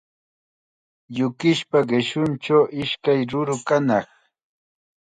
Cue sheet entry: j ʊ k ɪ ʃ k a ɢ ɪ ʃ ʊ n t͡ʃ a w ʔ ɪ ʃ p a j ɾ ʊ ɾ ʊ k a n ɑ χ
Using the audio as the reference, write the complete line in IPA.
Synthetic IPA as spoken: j ʊ k ɪ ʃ p a ɢ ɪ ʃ ʊ n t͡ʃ a w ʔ ɪ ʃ k a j ɾ ʊ ɾ ʊ k a n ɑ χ

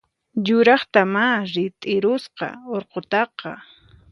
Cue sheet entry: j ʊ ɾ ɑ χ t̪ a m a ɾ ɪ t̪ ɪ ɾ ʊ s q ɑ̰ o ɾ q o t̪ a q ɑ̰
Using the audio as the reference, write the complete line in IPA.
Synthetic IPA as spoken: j ʊ ɾ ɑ χ t̪ a m a ɾ ɪ t̪ʼ ɪ ɾ ʊ s q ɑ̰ o ɾ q o t̪ ɑ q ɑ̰

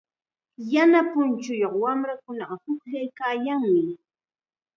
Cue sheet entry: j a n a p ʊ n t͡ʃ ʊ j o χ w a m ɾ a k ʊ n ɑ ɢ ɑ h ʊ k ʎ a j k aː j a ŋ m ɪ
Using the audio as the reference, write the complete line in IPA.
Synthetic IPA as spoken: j a n a p ʊ n t͡ʃ ʊ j o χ w a m ɾ a k ʊ n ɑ ɢ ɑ h ʊ k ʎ a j k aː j a ŋ m ɪ

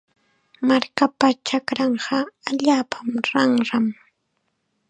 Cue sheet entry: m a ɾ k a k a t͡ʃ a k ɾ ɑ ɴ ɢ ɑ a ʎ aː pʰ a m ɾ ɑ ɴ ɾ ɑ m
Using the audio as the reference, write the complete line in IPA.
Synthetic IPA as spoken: m a ɾ k a p a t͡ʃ a k ɾ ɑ ɴ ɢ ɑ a ʎ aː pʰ a m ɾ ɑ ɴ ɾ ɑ m

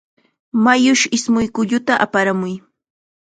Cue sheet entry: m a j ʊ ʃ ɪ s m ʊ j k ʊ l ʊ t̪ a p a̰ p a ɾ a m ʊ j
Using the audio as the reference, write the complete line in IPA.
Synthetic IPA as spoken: m a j ʊ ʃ ɪ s m ʊ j k ʊ ʎ ʊ t̪ a ʔ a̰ p a ɾ a m ʊ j

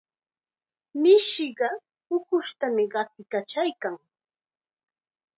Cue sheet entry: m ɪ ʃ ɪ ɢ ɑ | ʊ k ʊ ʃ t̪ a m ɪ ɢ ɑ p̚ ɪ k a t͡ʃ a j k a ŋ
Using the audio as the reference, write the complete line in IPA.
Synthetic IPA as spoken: m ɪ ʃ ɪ ɢ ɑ | ʊ k ʊ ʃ t̪ a m ɪ ɢ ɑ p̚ ɪ k a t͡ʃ a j k a ŋ

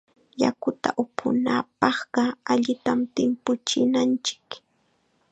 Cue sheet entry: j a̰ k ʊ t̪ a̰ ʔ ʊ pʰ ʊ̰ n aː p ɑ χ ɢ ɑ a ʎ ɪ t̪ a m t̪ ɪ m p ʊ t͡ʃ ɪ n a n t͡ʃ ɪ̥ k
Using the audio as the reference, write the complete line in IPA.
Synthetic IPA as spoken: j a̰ k ʊ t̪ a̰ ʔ ʊ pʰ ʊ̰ n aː p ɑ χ ɢ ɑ a ʎ ɪ t̪ a m t̪ ɪ m p ʊ t͡ʃ ɪ n a n t͡ʃ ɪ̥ k

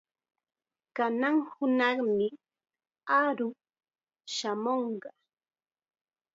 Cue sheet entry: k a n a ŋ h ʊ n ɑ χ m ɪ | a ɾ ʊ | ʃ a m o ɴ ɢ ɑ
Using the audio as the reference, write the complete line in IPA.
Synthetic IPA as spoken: k a n a ŋ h ʊ n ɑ χ m ɪ | a ɾ ʊ | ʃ a m o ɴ ɢ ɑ

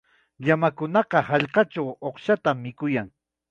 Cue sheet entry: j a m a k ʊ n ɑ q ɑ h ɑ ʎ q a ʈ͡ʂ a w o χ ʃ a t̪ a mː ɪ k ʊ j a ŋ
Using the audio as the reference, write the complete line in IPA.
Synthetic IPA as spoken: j a m a k ʊ n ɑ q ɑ h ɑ ʎ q ɑ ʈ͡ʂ a w o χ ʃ a t̪ a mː ɪ k ʊ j a ŋ

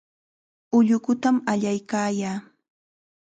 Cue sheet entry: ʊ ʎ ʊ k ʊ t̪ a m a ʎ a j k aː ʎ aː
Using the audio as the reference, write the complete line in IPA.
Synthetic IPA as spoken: ʊ ʎ ʊ k ʊ t̪ a m a ʎ a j k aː j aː

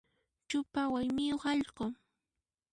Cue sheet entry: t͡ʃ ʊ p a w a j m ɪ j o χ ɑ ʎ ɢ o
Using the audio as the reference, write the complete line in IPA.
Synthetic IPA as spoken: t͡ʃ ʊ p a w a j m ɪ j o χ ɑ ʎ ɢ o

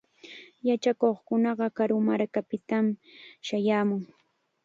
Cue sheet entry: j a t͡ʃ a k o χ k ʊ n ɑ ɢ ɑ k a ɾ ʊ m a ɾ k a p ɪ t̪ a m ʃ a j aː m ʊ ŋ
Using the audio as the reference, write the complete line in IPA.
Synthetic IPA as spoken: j a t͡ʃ a k o χ k ʊ n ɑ ɢ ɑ k a ɾ ʊ m a ɾ k a p ɪ t̪ a m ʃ a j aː m ʊ ŋ

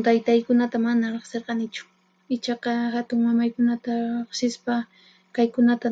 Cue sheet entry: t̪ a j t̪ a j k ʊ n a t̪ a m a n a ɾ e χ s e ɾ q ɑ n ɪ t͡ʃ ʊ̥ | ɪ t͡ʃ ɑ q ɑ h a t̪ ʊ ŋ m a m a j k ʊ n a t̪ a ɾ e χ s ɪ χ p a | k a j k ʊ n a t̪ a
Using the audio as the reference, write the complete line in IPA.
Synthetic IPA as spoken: t̪ a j t̪ a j k ʊ n a t̪ a m a n a ɾ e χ s e ɾ q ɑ n ɪ t͡ʃ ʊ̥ | ɪ t͡ʃ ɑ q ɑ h a t̪ ʊ ŋ m a m a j k ʊ n a t̪ a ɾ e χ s ɪ s p a | k a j k ʊ n a t̪ a

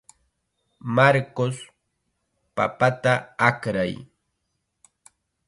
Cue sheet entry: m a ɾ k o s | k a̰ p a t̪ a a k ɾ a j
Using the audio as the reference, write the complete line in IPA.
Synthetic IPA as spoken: m a ɾ k o s | p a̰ p a t̪ a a k ɾ a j

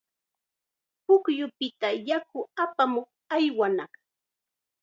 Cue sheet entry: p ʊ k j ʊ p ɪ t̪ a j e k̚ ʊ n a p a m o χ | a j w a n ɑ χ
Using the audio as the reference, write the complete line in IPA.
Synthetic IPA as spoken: p ʊ k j ʊ p ɪ t̪ a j a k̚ ʊ a p a m o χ | a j w a n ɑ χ

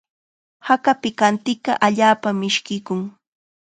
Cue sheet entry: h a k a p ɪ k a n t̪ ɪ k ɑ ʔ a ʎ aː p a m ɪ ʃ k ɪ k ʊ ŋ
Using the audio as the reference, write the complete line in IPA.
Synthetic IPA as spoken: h a k a p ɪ k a n t̪ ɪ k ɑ ʔ a ʎ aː p a m ɪ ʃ k ɪ k ʊ ŋ

